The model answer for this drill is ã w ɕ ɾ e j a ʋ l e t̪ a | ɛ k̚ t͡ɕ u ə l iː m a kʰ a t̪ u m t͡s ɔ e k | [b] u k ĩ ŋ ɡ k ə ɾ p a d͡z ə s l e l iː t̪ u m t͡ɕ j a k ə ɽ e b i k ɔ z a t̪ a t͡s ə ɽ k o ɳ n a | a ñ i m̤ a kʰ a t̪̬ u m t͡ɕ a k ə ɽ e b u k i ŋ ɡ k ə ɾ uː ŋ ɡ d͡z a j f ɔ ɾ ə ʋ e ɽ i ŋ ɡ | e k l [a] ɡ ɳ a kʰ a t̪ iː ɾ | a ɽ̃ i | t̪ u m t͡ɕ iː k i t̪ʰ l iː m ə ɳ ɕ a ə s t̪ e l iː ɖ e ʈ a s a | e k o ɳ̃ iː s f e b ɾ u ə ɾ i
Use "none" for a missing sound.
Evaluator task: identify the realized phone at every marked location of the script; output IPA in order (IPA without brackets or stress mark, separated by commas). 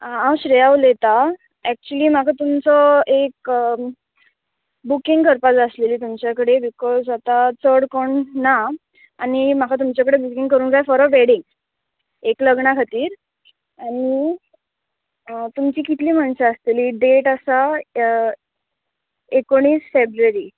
b, ə